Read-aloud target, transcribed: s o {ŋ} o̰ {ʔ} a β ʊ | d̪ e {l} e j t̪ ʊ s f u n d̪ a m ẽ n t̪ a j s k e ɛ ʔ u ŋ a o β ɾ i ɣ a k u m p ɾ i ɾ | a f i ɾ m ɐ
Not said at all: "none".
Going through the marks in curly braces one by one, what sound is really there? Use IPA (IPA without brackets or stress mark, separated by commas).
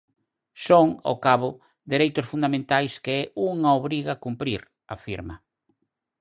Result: ŋ, k, ɾ